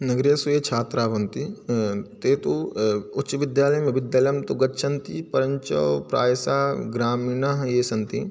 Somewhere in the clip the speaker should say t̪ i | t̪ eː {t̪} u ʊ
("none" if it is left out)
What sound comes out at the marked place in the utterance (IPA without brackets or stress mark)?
t̪